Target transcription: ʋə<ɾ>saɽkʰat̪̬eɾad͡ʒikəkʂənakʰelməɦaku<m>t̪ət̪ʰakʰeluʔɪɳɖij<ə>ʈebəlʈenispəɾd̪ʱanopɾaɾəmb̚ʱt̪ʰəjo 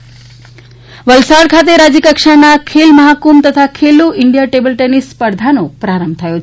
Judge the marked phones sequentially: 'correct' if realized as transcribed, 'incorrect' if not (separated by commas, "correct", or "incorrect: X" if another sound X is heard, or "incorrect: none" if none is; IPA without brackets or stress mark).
incorrect: l, correct, incorrect: a